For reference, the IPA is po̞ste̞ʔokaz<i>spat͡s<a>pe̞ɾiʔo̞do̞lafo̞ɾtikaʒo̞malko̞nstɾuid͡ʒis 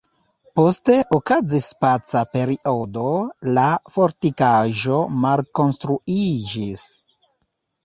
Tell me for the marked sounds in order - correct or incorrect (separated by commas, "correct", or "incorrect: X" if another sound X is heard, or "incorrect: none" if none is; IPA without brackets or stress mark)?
correct, correct